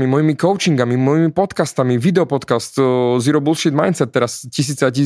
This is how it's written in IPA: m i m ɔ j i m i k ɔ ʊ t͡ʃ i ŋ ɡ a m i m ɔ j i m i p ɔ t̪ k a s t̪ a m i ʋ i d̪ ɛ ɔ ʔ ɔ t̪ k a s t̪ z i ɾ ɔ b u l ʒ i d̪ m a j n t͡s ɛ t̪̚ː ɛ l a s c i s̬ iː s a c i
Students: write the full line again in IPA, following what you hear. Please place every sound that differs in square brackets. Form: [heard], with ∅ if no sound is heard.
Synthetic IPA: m i m ɔ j i m i k ɔ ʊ t͡ʃ i ŋ ɡ a m i m ɔ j i m i p ɔ t̪ k a s t̪ a m i ʋ i d̪ ɛ ɔ [p] ɔ t̪ k a s t̪ z i ɾ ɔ b u l [ʃ] i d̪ m a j n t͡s ɛ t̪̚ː ɛ [ɾ] a s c i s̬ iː [t͡s] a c i